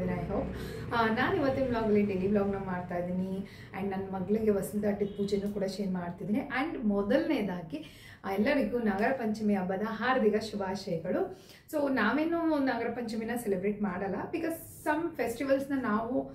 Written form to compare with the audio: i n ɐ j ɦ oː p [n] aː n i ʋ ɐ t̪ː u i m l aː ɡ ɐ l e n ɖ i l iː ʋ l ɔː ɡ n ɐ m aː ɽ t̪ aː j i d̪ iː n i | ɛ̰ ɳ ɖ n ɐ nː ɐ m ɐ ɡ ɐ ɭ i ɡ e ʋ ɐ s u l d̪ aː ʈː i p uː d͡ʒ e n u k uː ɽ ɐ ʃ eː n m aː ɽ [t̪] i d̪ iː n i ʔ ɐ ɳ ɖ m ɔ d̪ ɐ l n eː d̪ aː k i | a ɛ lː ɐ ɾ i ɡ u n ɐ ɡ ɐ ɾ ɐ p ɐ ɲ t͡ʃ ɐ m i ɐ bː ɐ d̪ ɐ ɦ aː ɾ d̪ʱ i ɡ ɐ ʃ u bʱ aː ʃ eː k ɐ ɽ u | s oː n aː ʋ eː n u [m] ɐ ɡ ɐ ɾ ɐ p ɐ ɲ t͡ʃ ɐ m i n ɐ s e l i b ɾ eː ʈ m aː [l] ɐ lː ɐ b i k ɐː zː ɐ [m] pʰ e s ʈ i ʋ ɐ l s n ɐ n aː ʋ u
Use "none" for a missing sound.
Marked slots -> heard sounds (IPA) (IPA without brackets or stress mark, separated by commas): n, t̪, n, ɽ, m